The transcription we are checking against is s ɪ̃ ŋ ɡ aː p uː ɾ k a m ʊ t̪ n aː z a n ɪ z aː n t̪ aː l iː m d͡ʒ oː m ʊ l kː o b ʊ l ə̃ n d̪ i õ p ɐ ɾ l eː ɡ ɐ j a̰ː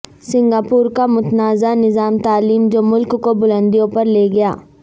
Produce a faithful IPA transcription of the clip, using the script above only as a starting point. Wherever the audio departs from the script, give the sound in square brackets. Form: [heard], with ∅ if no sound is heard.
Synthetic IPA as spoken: s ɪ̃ ŋ ɡ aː p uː ɾ k a m ʊ t̪ n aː z a n ɪ z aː [m] t̪ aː l iː m d͡ʒ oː m ʊ l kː o b ʊ l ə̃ n d̪ i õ p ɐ ɾ l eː ɡ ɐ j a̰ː

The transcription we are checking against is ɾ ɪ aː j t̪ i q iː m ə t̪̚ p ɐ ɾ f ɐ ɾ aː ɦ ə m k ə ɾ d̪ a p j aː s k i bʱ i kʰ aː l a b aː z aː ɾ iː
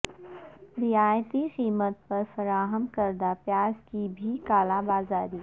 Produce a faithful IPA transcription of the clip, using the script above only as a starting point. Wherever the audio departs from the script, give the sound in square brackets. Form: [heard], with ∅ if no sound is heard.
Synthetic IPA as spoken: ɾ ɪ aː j t̪ i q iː m ə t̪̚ p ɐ ɾ f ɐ ɾ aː ɦ ə m k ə ɾ d̪ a p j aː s k i bʱ i [k] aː l a b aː z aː ɾ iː

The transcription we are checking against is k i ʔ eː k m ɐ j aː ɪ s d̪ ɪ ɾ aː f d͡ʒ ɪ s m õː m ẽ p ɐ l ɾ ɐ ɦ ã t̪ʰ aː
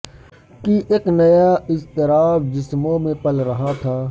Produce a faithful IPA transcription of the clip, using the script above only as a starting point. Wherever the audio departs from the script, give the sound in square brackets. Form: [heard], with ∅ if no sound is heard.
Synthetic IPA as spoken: k i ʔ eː k [n] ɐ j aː ɪ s [t̪] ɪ ɾ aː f d͡ʒ ɪ s m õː m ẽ p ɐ l ɾ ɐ ɦ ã t̪ʰ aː

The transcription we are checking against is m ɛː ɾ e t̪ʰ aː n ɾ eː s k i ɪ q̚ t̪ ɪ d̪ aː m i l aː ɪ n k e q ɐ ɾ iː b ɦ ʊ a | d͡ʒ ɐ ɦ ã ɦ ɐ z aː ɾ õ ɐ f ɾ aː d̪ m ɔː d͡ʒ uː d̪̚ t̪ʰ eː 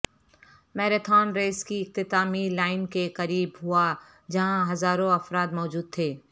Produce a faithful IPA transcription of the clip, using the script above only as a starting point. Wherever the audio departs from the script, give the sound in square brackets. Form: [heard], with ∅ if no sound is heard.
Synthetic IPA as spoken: m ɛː ɾ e t̪ʰ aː n ɾ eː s k i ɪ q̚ t̪ ɪ [t̪] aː m i l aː ɪ n k e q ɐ ɾ iː b ɦ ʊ a | d͡ʒ ɐ ɦ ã ɦ ɐ z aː ɾ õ ɐ f ɾ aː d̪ m ɔː d͡ʒ uː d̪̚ t̪ʰ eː

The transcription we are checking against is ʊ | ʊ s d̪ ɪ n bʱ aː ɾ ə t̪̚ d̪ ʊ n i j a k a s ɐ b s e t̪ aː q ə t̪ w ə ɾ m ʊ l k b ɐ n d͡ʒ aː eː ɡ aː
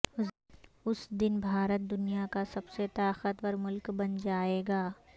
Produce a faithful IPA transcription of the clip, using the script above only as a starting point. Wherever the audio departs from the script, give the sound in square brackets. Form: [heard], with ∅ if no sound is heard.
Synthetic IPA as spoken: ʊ | ʊ s d̪ ɪ n bʱ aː ɾ ə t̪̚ d̪ ʊ n i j a k a s ɐ b s e t̪ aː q ə t̪ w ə ɾ m ʊ l k b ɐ n d͡ʒ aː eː ɡ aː

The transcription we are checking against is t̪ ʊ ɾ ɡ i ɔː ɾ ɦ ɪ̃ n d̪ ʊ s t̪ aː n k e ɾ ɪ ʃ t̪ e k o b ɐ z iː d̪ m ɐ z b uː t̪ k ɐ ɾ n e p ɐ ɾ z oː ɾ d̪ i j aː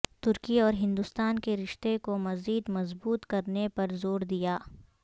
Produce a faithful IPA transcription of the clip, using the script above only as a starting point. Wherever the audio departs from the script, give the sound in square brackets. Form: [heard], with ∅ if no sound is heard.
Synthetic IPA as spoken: t̪ ʊ ɾ [k] i ɔː ɾ ɦ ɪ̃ n d̪ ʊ s t̪ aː n k e ɾ ɪ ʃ t̪ e k o [m] ɐ z iː d̪ m ɐ z b uː t̪ k ɐ ɾ n e p ɐ ɾ z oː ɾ d̪ i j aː

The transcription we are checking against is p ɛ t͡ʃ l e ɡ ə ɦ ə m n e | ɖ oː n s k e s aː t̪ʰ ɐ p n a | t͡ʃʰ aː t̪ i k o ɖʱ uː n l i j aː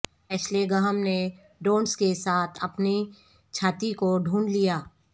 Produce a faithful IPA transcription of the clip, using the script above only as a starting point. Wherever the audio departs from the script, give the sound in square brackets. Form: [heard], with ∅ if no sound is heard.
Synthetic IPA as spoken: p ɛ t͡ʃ l e ɡ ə ɦ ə m n e | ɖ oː n s k e s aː t̪ʰ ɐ p n [i] | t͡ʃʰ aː t̪ i k o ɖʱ uː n l i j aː

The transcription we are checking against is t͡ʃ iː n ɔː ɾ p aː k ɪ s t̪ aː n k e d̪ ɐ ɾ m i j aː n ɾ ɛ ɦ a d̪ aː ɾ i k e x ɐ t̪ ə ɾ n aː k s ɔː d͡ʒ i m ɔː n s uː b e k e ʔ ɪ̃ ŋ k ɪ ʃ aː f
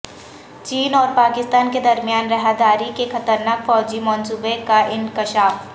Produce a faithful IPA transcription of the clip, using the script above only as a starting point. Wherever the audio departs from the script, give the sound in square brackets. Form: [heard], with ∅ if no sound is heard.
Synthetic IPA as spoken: t͡ʃ iː n ɔː ɾ p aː k ɪ s t̪ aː n k e d̪ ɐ ɾ m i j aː n ɾ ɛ ɦ a d̪ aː ɾ i k e x ɐ t̪ ə ɾ n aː k [f] ɔː d͡ʒ i m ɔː n s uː b e k [a] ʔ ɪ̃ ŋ k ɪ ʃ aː f

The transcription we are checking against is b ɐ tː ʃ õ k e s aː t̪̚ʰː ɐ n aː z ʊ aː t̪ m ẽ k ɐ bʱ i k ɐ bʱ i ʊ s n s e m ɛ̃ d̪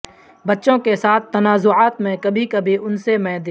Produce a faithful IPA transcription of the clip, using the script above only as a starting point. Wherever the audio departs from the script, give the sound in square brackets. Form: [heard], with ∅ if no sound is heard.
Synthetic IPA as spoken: b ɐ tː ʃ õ k e s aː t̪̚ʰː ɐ n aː z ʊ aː t̪ m ẽ k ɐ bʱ i k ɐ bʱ i ʊ [∅] n s e m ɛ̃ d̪

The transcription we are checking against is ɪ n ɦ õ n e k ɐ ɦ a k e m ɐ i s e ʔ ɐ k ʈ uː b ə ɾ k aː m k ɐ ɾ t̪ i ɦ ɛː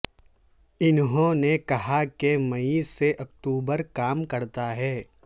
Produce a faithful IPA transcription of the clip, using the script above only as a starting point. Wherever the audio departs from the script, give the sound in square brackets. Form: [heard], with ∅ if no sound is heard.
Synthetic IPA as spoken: ɪ n ɦ õ n e k ɐ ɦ a k e m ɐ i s e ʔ ɐ k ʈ uː b ə ɾ k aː m k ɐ ɾ t̪ [a] ɦ ɛː

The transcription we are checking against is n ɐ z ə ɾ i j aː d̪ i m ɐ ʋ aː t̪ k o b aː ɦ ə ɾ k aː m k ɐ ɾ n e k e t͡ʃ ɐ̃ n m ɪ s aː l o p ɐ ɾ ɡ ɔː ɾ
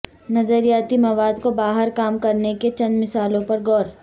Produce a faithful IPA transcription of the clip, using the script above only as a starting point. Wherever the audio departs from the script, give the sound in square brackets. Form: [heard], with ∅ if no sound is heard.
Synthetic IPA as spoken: n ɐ z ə ɾ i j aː [t̪] i m ɐ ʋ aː [d̪] k o b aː ɦ ə ɾ k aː m k ɐ ɾ n e k e t͡ʃ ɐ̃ n m ɪ s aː l [õ] p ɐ ɾ ɡ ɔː ɾ

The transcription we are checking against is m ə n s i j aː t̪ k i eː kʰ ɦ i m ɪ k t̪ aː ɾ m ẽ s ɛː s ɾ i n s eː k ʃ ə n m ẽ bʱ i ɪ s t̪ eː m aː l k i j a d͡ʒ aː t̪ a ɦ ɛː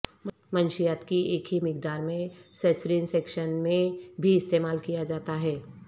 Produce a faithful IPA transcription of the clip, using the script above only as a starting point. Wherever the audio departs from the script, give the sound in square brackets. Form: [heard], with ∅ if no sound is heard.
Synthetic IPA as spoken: m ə n [ʃ] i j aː t̪ k i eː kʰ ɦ i m ɪ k [d̪] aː ɾ m ẽ s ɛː s ɾ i n s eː k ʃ ə n m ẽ bʱ i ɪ s t̪ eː m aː l k i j a d͡ʒ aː t̪ a ɦ ɛː

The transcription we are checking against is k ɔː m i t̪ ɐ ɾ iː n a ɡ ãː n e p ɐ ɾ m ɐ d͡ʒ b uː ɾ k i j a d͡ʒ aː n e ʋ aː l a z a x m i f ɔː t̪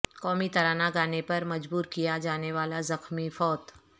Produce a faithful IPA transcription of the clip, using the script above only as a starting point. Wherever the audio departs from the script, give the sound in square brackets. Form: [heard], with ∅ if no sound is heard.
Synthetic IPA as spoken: k ɔː m i t̪ ɐ ɾ [aː] n a ɡ [aː] n e p ɐ ɾ m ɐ d͡ʒ b uː ɾ k i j a d͡ʒ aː n e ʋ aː l a z [ɐ] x m i f ɔː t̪

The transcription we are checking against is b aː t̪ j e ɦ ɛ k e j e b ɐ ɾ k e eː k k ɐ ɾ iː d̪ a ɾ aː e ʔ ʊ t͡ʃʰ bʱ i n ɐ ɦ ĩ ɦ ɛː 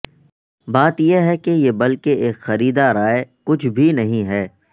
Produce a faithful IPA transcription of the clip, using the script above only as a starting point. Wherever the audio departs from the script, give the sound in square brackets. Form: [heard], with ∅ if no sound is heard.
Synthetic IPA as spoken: b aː t̪ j e ɦ ɛ k e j e b ɐ [l] k e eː k [x] ɐ ɾ iː d̪ a ɾ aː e [k] ʊ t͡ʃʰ bʱ i n ɐ ɦ ĩ ɦ ɛː

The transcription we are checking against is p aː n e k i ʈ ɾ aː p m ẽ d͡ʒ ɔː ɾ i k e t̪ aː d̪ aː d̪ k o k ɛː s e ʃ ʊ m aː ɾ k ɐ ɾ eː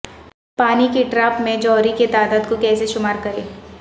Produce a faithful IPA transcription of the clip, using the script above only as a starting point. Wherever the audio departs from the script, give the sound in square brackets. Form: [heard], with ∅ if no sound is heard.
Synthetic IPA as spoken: p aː n [i] k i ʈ ɾ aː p m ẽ d͡ʒ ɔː ɾ i k e t̪ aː d̪ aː d̪ k o k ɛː s e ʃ ʊ m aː ɾ k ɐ ɾ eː

